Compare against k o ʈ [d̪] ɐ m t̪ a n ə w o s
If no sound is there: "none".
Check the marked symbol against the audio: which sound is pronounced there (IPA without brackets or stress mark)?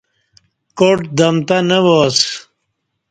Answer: d̪